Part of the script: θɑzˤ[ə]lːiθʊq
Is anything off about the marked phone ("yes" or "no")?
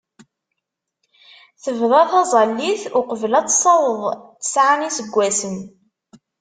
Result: yes